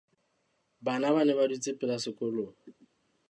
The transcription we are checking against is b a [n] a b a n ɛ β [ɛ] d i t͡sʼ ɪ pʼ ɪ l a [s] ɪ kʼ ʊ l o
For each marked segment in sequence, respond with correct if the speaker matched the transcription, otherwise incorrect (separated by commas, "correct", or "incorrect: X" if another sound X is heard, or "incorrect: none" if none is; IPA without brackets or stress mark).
correct, incorrect: a, correct